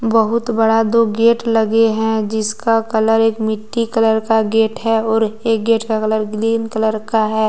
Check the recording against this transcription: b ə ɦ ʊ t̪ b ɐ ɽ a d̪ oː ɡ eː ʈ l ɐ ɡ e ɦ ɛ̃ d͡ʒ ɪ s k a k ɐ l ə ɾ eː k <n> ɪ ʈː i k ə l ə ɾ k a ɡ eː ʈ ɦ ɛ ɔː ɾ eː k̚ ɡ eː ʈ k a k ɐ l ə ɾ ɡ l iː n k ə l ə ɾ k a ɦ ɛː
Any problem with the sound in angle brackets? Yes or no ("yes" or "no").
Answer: yes